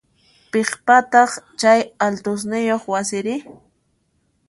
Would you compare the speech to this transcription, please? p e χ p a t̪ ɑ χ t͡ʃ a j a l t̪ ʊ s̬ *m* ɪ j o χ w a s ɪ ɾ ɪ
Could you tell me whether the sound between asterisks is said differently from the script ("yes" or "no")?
yes